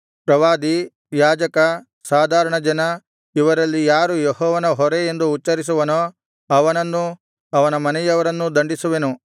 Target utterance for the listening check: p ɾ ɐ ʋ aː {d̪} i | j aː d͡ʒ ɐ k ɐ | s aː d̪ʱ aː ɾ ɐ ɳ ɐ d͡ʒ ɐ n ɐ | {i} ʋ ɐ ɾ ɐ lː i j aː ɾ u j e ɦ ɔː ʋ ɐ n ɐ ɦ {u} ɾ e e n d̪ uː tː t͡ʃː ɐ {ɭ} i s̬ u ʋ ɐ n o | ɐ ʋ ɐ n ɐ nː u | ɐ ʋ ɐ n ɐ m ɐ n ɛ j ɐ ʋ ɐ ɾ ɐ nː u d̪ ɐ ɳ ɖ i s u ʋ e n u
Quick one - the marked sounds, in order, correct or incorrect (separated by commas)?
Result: correct, correct, incorrect, incorrect